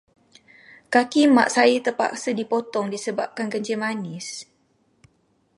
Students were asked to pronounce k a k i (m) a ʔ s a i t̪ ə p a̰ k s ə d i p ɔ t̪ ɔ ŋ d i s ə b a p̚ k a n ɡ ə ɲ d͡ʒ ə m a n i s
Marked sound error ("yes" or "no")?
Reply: no